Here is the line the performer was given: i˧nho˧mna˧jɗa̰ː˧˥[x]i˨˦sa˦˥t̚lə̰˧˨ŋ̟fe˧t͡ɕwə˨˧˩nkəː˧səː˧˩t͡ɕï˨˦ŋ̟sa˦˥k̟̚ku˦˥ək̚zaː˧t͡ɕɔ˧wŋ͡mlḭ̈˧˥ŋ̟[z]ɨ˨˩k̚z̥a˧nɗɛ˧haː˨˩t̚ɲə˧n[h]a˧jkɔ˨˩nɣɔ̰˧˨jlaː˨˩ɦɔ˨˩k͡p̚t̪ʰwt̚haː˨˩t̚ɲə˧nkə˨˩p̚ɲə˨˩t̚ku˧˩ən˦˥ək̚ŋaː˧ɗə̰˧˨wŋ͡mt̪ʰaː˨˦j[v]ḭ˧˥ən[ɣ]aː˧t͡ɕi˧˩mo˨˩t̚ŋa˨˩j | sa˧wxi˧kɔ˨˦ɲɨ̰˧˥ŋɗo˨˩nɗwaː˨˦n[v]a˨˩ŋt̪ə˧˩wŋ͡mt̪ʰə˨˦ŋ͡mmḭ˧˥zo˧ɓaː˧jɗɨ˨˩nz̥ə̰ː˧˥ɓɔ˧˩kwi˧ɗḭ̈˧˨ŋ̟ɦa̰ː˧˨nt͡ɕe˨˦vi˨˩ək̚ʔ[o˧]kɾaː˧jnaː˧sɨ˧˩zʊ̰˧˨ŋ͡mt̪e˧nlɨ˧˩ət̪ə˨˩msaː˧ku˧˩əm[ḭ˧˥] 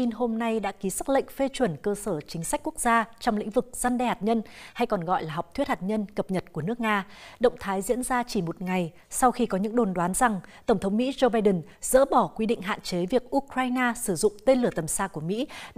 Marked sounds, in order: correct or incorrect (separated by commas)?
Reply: incorrect, incorrect, correct, incorrect, incorrect, incorrect, incorrect, correct